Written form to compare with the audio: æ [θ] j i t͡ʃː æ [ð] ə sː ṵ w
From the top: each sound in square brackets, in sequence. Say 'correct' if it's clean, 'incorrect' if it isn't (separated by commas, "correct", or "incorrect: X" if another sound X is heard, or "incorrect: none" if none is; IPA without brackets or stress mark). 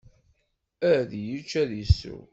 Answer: incorrect: ð, correct